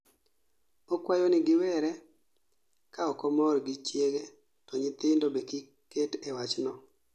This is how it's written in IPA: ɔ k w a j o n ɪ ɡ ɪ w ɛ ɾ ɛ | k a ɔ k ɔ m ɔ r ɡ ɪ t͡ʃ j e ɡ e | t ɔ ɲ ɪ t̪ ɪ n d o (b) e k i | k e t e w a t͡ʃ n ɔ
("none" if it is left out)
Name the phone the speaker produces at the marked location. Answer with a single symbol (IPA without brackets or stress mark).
b